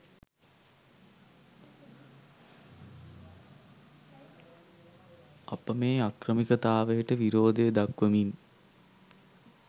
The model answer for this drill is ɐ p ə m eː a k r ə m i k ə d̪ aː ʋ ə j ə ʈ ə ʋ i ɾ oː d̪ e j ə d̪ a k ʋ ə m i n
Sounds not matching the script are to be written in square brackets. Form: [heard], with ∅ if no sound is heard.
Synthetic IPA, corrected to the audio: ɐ p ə m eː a k r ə m i k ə [t̪] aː ʋ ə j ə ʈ ə ʋ i ɾ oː d̪ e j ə d̪ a k ʋ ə m i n